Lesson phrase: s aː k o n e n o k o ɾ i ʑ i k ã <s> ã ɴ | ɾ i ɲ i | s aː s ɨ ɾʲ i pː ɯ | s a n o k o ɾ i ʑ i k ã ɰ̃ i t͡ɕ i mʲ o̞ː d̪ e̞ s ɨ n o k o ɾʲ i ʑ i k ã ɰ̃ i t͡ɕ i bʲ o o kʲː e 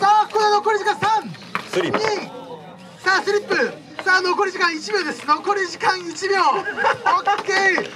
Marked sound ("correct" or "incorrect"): correct